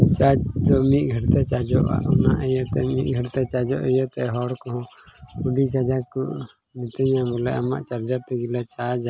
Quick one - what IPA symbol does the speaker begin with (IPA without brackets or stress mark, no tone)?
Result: t͡ʃ